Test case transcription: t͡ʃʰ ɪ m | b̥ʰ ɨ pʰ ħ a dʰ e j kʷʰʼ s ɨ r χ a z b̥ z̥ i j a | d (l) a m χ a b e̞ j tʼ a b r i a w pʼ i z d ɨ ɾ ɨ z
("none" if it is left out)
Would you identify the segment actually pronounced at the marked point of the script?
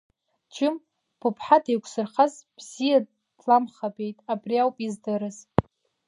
l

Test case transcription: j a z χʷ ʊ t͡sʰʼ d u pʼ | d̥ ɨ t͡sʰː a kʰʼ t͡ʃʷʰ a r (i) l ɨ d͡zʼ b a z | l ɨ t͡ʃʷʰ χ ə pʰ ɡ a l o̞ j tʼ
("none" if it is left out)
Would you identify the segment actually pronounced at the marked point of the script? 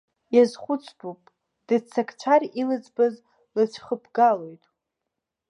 i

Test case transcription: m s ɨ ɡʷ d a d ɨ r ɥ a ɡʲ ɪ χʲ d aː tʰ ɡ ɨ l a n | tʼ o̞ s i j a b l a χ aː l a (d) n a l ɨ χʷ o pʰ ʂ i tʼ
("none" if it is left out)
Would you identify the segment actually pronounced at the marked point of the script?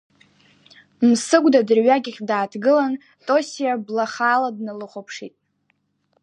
d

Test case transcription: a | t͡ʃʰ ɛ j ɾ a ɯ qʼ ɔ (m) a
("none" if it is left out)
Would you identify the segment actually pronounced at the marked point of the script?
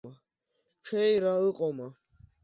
m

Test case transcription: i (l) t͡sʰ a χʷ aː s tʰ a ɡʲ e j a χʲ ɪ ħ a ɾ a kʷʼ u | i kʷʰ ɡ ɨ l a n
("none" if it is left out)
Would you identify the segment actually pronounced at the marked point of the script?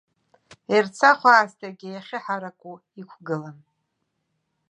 r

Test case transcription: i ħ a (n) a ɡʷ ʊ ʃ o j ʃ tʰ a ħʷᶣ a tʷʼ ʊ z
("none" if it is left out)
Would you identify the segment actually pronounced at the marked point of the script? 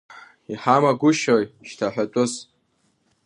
m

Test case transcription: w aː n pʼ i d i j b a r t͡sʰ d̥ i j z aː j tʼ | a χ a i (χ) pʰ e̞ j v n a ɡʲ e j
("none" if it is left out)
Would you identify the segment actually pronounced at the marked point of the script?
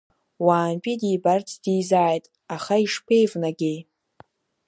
ʂ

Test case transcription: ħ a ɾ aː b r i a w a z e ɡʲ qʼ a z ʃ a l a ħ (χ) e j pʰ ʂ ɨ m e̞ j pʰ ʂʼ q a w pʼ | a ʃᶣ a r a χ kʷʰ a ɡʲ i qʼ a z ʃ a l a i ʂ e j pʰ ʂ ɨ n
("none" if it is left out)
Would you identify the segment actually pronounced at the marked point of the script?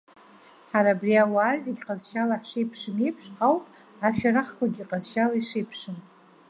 ʂ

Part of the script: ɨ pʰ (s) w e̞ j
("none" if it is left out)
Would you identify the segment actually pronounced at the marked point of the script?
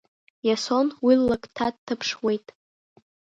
ʂ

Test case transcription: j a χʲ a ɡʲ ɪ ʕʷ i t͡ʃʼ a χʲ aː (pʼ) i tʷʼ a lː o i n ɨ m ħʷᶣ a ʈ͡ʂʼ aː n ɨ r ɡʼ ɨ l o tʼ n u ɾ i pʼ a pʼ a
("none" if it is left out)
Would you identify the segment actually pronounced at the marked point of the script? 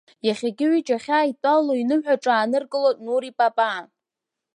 none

